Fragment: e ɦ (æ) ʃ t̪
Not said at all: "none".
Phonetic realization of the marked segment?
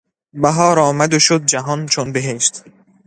e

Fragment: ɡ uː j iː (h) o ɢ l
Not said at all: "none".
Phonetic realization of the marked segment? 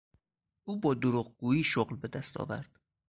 ʃ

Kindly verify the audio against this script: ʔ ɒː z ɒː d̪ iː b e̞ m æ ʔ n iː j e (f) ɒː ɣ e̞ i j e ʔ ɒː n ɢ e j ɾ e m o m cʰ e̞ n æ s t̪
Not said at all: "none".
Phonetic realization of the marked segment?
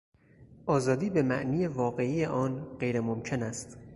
v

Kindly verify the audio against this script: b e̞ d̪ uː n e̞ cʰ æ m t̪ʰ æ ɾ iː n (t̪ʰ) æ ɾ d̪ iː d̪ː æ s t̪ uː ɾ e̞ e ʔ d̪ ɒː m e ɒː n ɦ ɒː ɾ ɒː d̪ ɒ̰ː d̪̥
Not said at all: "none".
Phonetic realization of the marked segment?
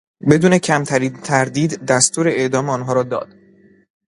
t̪ʰ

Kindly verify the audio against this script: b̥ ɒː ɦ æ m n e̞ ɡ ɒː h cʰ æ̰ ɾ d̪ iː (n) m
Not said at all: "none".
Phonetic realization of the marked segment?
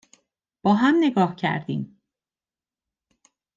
none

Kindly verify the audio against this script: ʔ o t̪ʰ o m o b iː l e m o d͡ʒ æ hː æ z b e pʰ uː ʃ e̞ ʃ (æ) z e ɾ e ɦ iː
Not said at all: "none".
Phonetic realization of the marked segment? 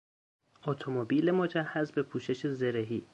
e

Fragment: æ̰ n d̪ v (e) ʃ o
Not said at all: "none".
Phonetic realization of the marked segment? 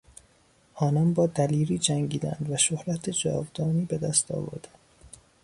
æ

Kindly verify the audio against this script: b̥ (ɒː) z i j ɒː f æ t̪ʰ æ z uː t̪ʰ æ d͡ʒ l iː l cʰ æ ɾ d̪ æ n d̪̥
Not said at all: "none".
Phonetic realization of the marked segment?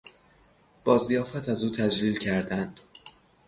ɒː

